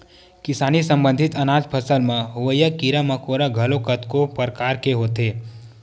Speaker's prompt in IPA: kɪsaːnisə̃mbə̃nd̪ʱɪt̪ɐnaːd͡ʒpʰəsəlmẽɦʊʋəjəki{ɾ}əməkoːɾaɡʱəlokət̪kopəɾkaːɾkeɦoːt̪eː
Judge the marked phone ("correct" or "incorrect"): correct